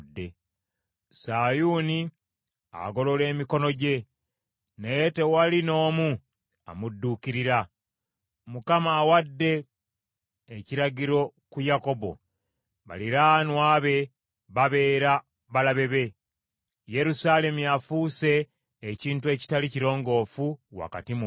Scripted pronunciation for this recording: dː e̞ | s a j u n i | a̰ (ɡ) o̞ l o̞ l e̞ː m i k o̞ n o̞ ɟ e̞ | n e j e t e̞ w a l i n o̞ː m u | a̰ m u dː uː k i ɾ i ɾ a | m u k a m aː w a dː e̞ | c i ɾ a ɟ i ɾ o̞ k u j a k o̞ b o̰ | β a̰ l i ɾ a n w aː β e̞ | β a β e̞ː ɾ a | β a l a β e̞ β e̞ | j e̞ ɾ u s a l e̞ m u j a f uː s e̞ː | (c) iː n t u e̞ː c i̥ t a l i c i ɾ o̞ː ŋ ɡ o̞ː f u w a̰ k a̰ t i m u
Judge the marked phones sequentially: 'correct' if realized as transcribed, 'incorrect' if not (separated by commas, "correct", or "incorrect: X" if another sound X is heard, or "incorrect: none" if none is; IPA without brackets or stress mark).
correct, correct